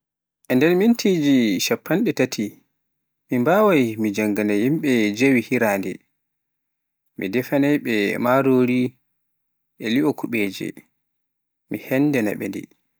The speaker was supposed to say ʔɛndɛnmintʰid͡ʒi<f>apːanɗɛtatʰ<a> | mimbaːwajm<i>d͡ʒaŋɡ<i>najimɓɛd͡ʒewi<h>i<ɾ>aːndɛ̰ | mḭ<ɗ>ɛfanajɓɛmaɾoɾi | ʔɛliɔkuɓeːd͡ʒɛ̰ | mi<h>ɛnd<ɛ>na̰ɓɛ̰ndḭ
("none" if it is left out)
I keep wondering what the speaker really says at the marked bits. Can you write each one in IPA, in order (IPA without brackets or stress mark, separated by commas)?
ʃ, i, i, a, h, ɾ, d, h, ɛ